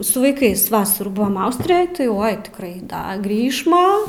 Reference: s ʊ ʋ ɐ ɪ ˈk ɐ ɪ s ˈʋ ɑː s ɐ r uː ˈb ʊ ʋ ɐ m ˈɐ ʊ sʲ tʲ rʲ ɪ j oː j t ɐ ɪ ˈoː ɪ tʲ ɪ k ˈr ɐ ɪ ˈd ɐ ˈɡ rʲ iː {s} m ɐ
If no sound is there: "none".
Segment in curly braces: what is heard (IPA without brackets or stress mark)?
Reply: ʃ